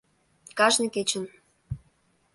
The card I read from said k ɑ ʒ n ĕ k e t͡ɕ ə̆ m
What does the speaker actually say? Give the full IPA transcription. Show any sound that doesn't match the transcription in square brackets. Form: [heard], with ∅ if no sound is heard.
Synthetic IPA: k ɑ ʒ n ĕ k e t͡ɕ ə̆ [n]

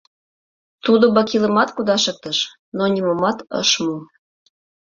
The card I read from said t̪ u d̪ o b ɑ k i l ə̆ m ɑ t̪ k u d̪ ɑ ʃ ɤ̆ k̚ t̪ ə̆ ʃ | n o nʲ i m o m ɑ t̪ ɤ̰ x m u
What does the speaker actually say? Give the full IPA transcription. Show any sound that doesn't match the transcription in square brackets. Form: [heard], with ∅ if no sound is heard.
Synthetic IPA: t̪ u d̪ o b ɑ k i l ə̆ m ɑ t̪ k u d̪ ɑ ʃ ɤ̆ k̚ t̪ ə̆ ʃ | n o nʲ i m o m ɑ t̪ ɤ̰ [ʃ] m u

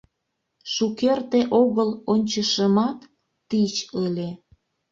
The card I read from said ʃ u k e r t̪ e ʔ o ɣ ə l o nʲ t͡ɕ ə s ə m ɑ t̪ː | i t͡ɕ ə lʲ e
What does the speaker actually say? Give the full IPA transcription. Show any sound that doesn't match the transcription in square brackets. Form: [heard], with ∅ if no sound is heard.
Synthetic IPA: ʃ u k e r t̪ e ʔ o ɣ ə l o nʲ t͡ɕ ə [ʃ] ə m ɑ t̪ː | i t͡ɕ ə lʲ e

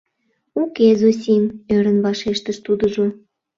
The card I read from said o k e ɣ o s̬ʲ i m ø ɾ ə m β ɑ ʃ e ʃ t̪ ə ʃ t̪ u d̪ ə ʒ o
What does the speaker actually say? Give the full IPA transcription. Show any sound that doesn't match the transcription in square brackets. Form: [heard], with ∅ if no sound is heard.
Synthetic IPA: [u] k e [z] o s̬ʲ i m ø ɾ ə [n] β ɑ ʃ e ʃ t̪ ə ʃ t̪ u d̪ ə ʒ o

